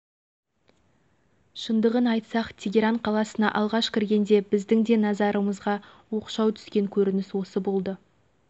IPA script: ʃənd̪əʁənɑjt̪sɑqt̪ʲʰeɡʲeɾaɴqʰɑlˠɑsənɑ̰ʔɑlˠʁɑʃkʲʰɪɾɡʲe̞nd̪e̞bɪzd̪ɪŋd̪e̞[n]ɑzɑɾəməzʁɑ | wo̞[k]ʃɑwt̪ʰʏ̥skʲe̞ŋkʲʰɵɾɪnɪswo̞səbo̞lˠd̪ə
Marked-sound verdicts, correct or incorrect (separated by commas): correct, incorrect